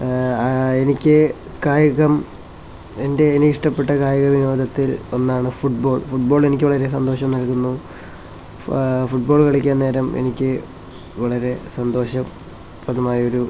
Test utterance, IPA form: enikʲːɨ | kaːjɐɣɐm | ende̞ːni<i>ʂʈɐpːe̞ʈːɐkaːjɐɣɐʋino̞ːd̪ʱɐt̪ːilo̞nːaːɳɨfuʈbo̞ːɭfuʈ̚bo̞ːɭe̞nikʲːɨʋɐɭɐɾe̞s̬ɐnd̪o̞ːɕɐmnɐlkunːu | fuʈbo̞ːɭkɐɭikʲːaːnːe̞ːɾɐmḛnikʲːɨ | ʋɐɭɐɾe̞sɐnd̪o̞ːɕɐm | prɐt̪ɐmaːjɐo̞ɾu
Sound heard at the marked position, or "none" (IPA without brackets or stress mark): i